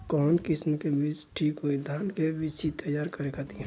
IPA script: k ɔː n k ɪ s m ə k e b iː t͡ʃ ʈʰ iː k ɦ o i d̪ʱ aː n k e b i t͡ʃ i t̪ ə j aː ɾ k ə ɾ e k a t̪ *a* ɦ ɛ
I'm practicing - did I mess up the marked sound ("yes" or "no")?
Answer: yes